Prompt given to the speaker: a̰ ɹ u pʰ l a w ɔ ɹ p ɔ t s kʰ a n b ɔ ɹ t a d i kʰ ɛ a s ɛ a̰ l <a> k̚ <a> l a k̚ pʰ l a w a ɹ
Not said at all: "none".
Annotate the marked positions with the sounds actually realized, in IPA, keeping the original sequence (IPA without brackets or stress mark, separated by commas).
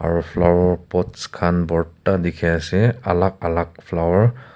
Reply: a, a